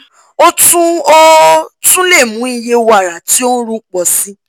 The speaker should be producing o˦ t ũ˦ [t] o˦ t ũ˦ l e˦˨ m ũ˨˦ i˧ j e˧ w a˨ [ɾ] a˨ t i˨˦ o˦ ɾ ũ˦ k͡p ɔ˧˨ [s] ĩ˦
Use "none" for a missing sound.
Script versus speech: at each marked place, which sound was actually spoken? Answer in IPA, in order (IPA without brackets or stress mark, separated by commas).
none, ɾ, s